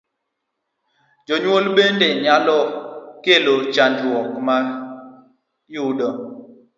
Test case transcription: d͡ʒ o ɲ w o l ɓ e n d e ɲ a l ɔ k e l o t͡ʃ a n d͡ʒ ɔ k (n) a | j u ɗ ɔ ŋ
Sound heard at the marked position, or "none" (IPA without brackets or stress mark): m